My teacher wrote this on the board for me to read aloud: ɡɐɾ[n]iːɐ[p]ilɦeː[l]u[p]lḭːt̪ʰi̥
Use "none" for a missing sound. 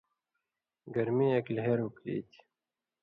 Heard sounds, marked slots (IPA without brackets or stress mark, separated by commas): m, k, ɾ, k